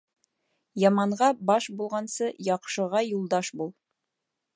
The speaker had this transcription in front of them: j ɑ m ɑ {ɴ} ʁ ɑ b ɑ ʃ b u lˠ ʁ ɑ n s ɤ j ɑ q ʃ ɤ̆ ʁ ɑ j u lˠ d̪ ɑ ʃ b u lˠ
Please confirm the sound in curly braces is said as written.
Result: yes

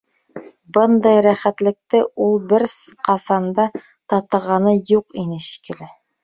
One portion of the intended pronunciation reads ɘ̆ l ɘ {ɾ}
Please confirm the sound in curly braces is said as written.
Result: no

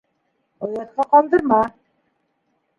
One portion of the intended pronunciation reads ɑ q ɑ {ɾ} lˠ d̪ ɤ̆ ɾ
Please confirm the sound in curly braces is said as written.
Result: no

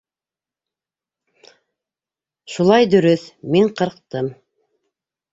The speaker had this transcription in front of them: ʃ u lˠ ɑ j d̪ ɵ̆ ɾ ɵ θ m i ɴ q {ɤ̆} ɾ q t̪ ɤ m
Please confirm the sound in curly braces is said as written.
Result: yes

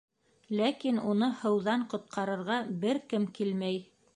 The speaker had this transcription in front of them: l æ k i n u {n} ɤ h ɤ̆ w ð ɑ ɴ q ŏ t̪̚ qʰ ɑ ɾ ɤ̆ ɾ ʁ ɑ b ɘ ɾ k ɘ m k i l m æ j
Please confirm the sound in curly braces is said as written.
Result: yes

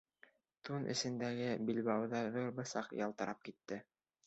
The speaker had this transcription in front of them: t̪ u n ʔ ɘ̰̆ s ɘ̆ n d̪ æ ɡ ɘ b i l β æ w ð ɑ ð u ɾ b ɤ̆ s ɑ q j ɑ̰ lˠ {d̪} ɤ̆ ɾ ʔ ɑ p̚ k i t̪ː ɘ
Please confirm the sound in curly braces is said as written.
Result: no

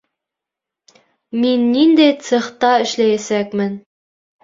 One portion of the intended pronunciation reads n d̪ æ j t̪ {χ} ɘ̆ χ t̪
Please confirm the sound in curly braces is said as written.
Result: no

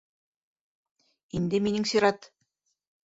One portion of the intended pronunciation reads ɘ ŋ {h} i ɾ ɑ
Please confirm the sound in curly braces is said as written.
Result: no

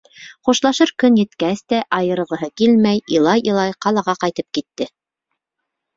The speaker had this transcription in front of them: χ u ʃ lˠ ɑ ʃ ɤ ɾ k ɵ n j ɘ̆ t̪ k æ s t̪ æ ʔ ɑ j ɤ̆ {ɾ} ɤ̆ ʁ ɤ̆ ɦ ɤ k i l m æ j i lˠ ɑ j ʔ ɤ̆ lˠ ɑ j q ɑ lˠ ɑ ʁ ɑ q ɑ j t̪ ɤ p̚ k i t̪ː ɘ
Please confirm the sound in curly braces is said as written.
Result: yes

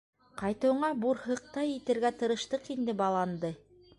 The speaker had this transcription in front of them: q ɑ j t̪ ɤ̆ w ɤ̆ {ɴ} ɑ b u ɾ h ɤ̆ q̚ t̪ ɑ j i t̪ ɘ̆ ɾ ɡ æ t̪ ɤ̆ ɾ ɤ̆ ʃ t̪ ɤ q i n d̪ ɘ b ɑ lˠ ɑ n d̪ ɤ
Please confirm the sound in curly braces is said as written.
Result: yes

